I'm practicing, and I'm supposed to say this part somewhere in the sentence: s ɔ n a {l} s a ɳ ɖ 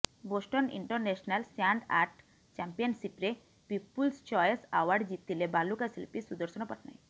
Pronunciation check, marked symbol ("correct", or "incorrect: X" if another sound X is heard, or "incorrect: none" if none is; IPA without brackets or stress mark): correct